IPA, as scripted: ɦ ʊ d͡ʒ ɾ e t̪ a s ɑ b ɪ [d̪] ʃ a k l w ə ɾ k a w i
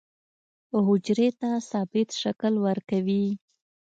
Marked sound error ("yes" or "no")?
yes